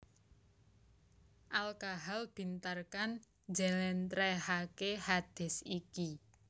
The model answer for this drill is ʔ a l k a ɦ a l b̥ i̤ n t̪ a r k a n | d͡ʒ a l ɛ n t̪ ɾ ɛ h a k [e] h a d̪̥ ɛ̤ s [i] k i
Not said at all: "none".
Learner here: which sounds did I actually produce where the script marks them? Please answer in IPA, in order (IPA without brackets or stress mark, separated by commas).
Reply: e, i